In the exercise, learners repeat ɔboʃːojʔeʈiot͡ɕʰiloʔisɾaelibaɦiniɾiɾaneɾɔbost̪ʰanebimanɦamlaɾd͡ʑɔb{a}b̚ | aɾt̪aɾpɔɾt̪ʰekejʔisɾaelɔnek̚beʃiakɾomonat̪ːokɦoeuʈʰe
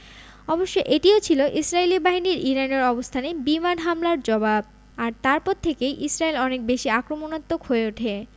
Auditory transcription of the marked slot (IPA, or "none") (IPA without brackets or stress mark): a